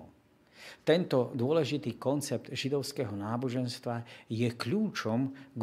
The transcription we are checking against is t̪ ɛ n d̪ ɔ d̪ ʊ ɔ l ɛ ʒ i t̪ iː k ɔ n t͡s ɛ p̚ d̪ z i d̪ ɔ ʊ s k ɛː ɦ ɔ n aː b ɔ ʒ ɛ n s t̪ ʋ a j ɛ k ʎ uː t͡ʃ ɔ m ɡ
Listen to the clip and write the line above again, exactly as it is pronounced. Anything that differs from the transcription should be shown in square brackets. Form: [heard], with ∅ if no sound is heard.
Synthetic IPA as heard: t̪ ɛ n [t̪] ɔ d̪ ʊ ɔ l ɛ ʒ i t̪ iː k ɔ n t͡s ɛ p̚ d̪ [ʒ] i d̪ ɔ ʊ s k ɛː ɦ ɔ n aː b ɔ ʒ ɛ n s t̪ ʋ a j ɛ k ʎ uː t͡ʃ ɔ m ɡ